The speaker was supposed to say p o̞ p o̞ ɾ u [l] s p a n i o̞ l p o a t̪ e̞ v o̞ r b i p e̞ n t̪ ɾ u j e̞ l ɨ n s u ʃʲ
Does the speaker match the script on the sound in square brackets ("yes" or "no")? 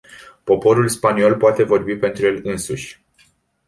yes